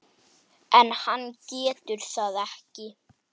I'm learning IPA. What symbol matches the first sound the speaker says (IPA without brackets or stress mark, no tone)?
ɛ